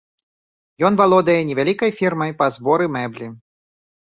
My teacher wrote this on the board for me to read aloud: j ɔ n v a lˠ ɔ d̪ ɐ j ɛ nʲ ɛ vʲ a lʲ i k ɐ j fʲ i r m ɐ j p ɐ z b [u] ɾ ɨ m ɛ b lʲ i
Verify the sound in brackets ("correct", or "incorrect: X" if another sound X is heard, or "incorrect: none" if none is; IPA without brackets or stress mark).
incorrect: ɔ